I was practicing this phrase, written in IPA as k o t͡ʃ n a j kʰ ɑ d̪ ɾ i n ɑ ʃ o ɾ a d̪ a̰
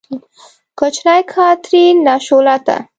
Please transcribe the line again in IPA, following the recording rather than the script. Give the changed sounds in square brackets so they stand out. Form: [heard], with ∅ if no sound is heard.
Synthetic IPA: k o t͡ʃ n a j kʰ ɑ [t̪] ɾ i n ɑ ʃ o [l] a [t̪] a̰